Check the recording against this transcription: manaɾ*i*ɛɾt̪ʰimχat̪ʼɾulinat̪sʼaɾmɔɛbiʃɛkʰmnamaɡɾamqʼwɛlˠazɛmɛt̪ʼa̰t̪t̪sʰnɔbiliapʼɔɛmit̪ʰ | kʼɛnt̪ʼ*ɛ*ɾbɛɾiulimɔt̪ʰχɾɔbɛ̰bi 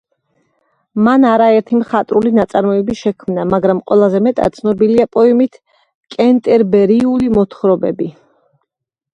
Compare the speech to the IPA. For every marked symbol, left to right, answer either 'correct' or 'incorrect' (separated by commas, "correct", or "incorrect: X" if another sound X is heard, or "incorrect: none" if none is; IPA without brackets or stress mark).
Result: incorrect: a, correct